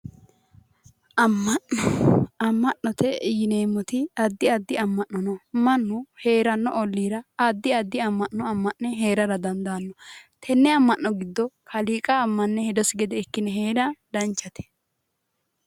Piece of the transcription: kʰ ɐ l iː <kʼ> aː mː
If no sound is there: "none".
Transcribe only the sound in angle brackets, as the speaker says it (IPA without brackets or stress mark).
kʼ